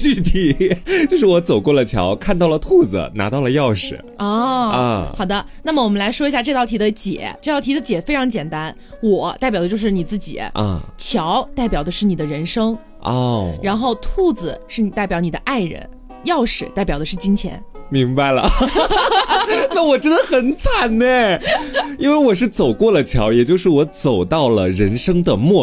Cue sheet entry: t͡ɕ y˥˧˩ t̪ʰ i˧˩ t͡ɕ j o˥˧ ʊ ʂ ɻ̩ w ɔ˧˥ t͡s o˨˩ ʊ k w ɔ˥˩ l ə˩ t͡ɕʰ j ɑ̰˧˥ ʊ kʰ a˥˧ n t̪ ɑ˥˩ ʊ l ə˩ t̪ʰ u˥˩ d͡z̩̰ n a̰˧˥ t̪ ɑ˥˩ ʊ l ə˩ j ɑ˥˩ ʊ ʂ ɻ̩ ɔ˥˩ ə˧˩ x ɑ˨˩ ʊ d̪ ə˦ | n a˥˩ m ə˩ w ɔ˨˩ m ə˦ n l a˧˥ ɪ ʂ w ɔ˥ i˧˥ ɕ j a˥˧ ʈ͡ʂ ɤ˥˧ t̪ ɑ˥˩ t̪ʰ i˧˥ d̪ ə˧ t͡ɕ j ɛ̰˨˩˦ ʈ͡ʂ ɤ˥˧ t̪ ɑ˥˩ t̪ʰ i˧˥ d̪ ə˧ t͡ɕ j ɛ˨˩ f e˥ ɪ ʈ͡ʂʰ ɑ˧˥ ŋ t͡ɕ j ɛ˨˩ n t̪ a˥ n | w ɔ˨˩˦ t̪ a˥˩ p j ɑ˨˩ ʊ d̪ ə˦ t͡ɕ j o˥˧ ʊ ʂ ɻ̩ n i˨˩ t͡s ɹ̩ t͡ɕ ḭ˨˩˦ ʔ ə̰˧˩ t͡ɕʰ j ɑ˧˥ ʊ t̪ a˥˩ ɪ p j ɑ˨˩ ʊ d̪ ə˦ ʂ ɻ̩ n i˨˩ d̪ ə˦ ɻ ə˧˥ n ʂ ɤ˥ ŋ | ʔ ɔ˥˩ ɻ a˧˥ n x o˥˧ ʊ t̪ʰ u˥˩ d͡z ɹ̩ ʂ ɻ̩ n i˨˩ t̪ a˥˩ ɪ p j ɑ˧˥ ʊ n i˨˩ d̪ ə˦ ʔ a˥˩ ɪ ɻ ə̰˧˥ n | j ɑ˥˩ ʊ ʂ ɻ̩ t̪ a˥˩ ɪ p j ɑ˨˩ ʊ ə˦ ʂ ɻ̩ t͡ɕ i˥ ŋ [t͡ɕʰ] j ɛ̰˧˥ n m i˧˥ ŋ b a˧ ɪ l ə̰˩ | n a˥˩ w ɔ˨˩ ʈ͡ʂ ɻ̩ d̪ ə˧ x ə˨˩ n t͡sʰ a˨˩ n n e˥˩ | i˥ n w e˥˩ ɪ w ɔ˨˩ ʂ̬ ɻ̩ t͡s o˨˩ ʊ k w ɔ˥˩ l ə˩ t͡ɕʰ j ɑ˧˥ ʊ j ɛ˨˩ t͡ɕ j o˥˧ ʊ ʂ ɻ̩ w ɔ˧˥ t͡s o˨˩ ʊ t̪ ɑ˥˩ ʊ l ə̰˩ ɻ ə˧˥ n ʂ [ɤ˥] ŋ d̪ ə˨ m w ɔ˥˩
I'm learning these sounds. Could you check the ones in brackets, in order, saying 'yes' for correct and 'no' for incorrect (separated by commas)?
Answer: yes, yes